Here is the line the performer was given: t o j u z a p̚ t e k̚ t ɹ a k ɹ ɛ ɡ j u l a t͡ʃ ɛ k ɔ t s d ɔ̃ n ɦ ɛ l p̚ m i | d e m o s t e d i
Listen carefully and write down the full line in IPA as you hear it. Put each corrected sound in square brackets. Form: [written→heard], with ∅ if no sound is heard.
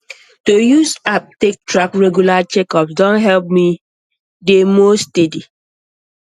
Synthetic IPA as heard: t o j u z a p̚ t e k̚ t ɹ a k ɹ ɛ ɡ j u l a t͡ʃ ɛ k ɔ [t→p] s d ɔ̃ n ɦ ɛ l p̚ m i | d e m o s t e d i